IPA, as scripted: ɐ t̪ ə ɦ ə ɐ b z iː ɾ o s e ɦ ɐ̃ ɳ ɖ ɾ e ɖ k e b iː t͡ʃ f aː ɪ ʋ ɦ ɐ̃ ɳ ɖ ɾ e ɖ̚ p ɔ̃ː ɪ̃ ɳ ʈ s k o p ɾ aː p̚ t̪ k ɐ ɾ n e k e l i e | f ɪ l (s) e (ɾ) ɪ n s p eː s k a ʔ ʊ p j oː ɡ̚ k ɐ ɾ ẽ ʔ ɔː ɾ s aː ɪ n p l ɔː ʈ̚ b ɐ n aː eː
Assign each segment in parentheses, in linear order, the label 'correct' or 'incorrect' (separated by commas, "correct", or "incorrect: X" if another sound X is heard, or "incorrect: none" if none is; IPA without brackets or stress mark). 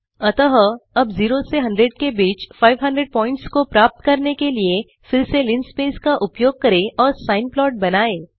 correct, incorrect: l